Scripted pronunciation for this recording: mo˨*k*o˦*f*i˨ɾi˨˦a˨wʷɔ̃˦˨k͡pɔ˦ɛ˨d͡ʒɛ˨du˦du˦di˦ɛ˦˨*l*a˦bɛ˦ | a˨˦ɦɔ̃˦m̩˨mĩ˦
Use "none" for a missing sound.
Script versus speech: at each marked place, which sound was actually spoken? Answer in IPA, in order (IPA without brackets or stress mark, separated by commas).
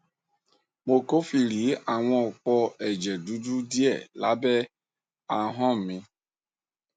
k, f, l